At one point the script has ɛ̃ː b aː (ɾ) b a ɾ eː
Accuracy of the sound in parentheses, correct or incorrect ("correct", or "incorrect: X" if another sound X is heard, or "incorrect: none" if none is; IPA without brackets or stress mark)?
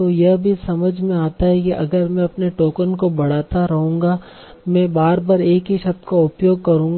correct